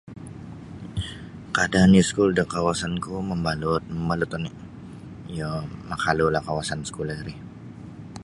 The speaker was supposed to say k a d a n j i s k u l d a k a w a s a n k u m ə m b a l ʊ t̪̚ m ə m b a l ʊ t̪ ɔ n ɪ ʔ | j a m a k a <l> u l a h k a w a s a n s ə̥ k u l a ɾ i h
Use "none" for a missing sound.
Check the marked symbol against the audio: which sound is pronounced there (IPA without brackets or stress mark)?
l